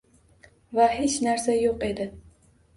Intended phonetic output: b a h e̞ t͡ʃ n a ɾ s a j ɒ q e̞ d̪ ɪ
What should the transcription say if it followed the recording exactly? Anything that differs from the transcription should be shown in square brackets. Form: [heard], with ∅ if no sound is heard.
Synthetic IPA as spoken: [v] a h e̞ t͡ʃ n a ɾ s a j [o] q e̞ d̪ ɪ